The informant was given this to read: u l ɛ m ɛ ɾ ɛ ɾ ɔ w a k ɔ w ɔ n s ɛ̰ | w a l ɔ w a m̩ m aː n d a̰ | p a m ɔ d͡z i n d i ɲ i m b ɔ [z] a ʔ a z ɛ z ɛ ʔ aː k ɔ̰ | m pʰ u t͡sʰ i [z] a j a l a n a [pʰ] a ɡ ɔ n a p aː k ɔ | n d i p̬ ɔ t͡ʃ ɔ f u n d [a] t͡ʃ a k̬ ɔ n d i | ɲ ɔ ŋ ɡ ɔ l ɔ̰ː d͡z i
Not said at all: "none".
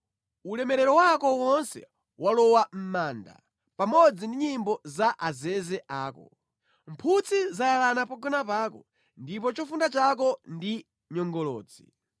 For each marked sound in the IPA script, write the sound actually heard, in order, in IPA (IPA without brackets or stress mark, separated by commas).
z, z, p, a